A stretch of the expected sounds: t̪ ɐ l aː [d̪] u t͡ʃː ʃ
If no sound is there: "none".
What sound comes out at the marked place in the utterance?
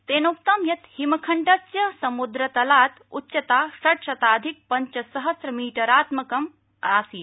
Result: t̪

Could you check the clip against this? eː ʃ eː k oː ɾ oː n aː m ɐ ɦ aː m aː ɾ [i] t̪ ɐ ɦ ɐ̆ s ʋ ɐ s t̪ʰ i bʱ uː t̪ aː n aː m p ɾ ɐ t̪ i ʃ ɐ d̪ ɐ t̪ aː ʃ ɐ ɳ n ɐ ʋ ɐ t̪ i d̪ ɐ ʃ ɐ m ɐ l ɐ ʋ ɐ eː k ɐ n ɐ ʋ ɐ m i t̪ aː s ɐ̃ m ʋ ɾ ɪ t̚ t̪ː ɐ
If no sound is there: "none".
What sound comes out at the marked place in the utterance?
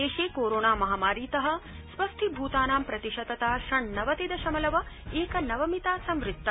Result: iː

